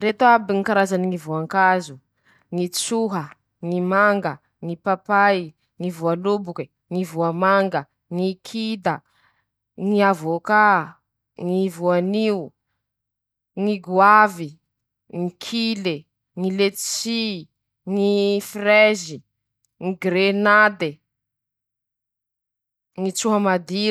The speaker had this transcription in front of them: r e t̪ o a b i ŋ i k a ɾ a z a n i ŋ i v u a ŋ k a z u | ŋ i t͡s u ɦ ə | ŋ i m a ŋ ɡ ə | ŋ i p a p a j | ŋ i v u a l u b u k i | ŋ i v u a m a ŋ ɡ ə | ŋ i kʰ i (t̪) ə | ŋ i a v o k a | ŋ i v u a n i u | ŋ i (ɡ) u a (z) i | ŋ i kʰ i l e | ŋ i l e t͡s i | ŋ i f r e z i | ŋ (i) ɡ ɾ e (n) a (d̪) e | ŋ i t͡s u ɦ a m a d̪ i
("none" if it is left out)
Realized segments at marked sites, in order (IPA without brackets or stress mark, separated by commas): d̪, ɡ, v, i, n, d̪